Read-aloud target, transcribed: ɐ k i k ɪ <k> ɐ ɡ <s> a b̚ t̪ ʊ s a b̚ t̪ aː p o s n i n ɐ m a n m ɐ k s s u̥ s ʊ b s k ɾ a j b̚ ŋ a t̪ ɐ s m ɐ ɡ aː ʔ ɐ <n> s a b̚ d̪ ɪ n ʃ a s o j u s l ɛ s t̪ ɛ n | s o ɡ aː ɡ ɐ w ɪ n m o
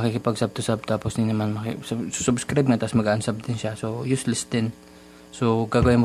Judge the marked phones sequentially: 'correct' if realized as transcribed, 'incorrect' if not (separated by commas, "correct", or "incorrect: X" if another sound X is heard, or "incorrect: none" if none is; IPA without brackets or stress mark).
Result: incorrect: p, correct, correct